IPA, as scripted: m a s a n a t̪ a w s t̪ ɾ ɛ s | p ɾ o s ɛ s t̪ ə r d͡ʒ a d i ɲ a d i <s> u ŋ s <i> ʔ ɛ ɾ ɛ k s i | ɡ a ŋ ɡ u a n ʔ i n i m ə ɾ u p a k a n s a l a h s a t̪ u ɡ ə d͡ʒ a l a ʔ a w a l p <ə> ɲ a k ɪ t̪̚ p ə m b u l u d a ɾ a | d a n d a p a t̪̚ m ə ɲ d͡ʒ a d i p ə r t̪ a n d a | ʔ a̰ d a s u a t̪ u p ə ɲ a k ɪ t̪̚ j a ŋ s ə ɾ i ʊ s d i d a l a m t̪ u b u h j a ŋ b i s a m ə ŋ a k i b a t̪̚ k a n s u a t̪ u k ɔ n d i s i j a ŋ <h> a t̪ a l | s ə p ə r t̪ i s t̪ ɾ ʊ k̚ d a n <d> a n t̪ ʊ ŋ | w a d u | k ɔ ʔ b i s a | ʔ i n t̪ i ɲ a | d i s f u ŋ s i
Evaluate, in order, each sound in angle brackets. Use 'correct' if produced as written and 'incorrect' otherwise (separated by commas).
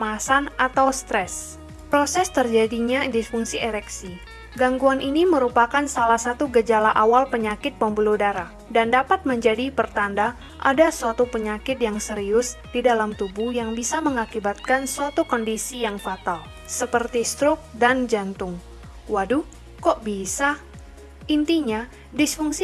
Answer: incorrect, correct, correct, incorrect, incorrect